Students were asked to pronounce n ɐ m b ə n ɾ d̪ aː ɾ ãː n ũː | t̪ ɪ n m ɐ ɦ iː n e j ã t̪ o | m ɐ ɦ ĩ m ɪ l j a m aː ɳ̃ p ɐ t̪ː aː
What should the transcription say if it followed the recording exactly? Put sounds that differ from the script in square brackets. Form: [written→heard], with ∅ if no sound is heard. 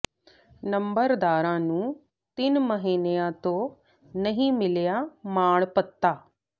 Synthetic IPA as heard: n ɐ m b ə [n→∅] ɾ d̪ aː ɾ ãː n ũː | t̪ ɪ n m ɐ ɦ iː n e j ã t̪ o | [m→n] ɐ ɦ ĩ m ɪ l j a m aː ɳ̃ p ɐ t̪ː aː